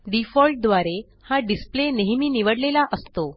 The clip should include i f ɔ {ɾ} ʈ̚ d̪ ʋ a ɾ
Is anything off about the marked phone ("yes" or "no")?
yes